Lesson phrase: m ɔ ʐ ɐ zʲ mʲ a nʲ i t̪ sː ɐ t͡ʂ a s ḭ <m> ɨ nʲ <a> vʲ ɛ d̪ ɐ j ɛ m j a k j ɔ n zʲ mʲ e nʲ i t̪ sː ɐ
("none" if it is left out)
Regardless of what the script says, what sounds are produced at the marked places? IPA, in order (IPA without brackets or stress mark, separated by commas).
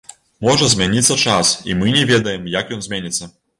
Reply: m, ɛ